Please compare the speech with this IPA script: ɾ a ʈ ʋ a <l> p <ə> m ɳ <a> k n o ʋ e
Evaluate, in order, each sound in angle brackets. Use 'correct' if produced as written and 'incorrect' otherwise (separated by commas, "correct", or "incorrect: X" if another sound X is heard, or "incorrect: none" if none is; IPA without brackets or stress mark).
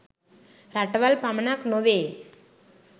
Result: correct, incorrect: a, correct